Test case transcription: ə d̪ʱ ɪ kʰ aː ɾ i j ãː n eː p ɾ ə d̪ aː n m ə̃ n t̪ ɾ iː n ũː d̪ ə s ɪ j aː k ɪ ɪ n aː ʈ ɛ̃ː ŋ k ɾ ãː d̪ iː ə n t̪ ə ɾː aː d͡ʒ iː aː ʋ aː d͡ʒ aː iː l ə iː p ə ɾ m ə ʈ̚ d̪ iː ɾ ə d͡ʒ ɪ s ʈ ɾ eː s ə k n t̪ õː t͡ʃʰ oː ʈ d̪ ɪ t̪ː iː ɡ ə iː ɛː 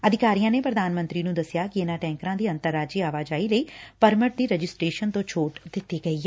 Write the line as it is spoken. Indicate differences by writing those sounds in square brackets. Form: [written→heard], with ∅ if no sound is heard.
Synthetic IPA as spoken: ə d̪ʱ ɪ [kʰ→k] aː ɾ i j ãː n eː p ɾ ə d̪ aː n m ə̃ n t̪ ɾ iː n ũː d̪ ə s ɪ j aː k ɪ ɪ n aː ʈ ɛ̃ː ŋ k ɾ ãː d̪ iː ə n t̪ ə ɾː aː d͡ʒ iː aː ʋ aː d͡ʒ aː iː l ə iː p ə ɾ m ə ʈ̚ d̪ iː ɾ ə d͡ʒ ɪ s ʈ ɾ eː [s→ʃ] ə [k→∅] n t̪ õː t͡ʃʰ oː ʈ d̪ ɪ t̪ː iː ɡ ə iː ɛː